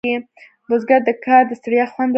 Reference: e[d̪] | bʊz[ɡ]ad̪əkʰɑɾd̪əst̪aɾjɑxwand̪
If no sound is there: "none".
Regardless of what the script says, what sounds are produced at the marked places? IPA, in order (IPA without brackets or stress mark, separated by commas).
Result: none, ɡ